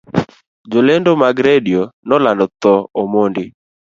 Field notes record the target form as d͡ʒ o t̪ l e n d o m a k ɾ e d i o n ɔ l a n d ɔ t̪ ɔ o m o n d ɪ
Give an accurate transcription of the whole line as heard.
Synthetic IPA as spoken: d͡ʒ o l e n d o m a ɡ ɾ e d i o n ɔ l a n d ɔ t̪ ɔ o m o n d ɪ